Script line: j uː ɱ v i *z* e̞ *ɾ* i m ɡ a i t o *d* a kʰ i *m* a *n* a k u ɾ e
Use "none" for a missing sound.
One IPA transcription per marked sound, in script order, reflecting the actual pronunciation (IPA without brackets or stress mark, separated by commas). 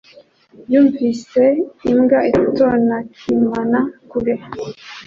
s, none, n, m, n